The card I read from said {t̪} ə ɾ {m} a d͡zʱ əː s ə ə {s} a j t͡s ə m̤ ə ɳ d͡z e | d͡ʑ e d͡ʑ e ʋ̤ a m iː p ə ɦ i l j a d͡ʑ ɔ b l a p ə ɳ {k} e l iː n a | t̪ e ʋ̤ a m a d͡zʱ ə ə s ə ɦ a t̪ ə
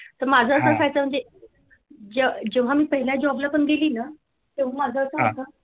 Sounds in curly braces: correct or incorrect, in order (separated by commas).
correct, correct, correct, incorrect